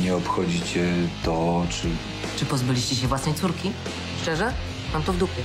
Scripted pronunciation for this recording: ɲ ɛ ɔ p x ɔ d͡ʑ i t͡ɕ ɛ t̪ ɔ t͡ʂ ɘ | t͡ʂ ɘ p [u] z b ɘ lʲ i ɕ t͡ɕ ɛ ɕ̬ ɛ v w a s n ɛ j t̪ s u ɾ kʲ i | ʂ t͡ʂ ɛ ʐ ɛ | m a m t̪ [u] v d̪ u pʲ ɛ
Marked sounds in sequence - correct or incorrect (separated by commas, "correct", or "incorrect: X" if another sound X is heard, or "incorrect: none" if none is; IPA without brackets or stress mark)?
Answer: incorrect: ɔ, incorrect: ɔ